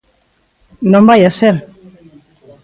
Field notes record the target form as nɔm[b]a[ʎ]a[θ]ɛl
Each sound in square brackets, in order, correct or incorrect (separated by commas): correct, incorrect, incorrect